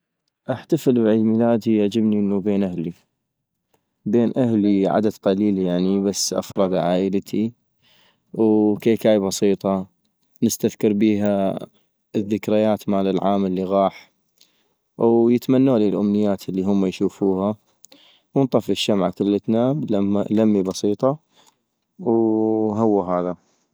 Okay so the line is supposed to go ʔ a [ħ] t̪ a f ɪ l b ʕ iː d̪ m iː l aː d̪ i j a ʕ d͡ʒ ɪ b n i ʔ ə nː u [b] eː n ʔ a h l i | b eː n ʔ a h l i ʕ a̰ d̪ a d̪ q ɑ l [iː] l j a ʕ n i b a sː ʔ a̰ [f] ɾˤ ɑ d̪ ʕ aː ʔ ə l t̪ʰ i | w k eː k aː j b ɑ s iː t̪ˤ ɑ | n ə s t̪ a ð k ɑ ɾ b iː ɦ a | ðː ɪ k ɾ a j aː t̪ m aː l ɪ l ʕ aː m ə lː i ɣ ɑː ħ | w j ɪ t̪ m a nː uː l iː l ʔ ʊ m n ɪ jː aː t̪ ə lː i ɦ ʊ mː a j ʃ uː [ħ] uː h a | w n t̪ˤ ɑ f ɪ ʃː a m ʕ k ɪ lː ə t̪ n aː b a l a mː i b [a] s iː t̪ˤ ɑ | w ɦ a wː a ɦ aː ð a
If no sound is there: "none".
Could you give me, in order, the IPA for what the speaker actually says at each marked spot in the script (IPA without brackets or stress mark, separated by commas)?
ħ, b, iː, f, f, ɑ